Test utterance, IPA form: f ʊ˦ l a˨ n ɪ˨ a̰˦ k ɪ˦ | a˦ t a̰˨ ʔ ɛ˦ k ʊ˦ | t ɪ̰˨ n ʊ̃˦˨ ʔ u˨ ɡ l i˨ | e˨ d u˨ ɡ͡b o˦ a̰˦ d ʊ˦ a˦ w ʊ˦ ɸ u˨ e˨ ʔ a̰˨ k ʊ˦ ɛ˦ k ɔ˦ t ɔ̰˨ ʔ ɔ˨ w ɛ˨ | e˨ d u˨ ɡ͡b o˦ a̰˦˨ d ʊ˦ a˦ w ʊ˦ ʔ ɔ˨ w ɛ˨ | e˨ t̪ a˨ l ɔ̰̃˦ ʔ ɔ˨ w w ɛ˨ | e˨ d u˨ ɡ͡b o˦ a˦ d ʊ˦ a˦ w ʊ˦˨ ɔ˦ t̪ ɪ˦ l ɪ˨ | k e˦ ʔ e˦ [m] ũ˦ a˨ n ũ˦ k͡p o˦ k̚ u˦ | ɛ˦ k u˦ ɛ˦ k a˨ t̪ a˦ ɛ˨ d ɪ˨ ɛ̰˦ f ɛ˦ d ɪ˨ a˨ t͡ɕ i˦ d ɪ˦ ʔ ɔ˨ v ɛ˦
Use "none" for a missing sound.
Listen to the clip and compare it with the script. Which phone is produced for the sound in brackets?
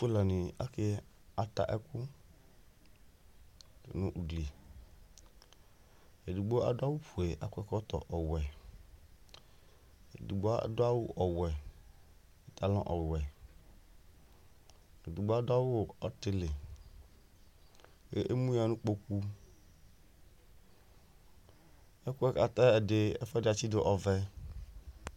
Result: m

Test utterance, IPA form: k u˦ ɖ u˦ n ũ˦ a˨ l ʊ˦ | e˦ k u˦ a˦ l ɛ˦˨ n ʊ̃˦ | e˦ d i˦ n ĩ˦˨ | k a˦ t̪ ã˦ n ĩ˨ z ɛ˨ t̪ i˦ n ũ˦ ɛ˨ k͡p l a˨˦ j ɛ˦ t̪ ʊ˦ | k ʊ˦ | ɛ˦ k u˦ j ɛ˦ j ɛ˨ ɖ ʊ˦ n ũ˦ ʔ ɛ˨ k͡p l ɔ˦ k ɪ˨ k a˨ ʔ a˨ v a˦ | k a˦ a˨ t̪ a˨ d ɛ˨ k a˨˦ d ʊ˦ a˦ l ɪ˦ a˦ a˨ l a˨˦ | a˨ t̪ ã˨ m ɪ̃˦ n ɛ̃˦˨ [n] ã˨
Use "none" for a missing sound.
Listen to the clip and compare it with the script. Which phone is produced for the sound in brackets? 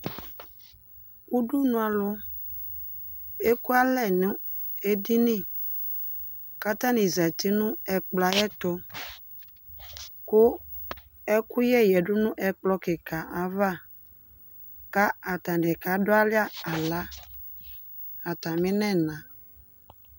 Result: n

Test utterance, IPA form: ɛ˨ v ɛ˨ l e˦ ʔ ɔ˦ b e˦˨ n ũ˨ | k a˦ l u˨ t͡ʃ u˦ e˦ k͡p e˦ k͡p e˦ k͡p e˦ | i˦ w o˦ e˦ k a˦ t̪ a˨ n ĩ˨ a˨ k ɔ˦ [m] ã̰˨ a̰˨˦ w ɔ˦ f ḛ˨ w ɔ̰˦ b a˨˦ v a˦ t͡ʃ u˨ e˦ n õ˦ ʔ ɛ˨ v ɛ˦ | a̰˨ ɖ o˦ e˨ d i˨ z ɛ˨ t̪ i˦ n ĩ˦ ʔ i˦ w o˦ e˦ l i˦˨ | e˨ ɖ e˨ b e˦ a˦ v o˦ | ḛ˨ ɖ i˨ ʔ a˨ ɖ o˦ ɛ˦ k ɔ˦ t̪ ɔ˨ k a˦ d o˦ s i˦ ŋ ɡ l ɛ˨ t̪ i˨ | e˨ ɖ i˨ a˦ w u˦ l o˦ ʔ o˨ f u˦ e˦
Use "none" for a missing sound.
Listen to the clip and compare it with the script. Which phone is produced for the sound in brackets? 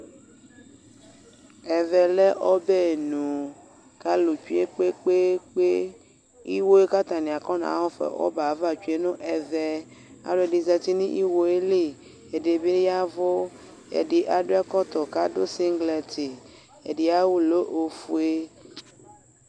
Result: n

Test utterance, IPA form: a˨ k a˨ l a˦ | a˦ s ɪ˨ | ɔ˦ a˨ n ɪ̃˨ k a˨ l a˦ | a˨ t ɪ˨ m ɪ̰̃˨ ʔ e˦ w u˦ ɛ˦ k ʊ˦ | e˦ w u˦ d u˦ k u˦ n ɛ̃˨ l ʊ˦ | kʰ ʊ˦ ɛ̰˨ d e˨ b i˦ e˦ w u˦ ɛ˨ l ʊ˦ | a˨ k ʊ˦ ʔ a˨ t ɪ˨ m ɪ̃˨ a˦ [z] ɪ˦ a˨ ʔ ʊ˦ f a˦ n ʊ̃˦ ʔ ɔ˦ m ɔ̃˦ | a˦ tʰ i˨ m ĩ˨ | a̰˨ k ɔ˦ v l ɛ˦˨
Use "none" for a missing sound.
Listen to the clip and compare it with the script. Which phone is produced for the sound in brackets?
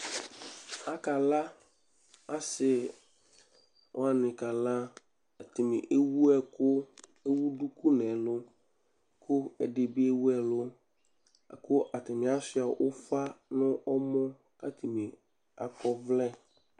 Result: s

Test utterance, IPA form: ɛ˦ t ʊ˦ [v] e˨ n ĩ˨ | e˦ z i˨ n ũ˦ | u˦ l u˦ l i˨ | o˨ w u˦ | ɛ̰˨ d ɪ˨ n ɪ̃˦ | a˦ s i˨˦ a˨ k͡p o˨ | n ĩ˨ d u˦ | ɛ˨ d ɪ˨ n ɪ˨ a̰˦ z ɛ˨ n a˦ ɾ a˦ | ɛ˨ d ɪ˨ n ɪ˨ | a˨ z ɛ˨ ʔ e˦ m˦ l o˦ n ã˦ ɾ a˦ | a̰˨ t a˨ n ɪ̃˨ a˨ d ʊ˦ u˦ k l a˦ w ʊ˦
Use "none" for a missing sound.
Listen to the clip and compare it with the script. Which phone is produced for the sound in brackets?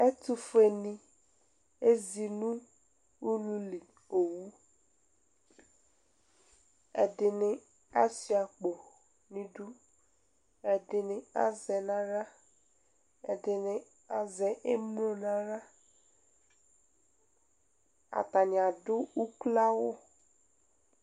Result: f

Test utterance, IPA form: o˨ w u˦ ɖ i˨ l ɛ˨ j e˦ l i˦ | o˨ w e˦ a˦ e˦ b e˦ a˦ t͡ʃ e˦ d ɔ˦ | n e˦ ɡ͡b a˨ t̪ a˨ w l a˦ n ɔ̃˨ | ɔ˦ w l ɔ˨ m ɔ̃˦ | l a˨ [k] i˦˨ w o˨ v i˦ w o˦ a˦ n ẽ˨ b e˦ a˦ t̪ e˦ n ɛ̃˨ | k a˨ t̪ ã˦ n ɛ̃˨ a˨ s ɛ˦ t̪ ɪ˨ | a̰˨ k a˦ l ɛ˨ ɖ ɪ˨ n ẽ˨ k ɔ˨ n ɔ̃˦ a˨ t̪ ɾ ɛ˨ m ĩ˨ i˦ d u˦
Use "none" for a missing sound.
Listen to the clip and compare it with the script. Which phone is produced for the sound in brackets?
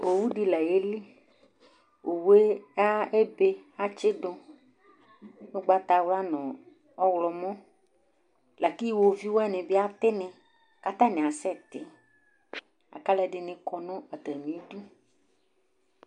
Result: k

